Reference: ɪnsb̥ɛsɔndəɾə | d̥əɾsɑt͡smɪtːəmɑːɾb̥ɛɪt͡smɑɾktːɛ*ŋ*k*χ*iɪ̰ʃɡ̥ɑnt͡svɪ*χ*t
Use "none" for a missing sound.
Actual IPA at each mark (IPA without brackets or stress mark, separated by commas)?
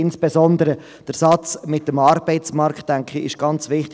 ŋ, χ, χ